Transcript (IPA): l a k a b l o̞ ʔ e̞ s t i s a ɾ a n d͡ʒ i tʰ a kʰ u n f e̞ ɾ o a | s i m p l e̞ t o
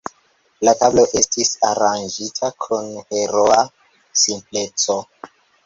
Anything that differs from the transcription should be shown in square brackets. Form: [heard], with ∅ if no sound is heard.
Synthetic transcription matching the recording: l a [t] a b l o̞ ʔ e̞ s t i s a ɾ a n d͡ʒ i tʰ a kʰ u n [h] e̞ ɾ o a | s i m p l e̞ [t͡s] o